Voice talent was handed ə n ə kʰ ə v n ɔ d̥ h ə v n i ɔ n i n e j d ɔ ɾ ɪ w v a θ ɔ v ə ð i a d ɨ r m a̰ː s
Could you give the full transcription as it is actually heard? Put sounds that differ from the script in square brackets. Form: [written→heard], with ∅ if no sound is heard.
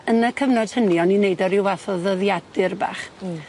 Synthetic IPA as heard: ə n ə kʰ ə v n ɔ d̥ h ə [v→∅] n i ɔ n i n e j d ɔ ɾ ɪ w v a θ ɔ [v→ð] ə ð [i→j] a d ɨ r [m→b] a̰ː [s→χ]